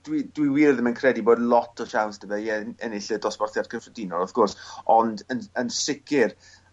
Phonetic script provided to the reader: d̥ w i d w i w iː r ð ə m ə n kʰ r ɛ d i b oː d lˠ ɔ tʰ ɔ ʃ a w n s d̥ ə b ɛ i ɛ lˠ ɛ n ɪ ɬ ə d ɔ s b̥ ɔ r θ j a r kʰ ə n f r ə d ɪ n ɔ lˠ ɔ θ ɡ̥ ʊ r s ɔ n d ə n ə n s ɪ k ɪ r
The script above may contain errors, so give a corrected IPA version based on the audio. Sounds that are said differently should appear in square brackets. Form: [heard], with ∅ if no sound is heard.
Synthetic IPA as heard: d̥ w i d w i w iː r ð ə m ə n kʰ r ɛ d i b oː d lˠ ɔ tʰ ɔ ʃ a w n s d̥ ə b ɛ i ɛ [∅] ɛ n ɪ ɬ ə d ɔ s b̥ ɔ r θ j a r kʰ ə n f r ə d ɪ n ɔ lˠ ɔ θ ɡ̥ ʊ r s ɔ n d ə n ə n s ɪ k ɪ r